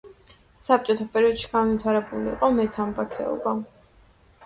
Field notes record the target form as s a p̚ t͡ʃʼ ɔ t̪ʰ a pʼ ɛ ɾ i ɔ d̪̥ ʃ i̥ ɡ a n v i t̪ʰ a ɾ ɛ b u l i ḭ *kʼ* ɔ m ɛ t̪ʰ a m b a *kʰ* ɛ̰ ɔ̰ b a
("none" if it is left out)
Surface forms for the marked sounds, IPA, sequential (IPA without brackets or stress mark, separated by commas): qʼ, kʰ